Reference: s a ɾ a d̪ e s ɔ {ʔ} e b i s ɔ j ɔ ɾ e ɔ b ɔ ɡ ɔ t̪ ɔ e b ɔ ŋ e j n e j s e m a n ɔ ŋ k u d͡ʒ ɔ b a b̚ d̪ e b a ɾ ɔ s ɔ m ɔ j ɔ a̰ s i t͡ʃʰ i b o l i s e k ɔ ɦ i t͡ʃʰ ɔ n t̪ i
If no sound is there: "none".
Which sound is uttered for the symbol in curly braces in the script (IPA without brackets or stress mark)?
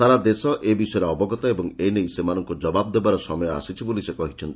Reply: ʔ